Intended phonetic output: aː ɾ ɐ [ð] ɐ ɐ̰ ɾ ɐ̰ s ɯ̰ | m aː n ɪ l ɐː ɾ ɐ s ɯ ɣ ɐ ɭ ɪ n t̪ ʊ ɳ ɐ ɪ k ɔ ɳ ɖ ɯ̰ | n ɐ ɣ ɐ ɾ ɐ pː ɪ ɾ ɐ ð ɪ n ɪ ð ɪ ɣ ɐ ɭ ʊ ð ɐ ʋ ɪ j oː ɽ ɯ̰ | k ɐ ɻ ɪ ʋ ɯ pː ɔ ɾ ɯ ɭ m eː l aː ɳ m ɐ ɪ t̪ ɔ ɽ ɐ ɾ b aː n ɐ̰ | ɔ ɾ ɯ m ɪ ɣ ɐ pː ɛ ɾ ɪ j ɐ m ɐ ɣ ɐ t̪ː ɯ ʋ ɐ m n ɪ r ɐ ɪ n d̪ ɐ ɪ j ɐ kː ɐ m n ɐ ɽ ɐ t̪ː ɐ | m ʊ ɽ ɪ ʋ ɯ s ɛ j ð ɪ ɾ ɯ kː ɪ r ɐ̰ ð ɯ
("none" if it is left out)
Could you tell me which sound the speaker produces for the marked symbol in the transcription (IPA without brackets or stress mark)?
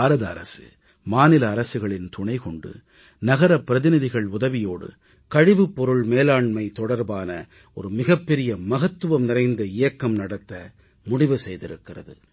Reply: ð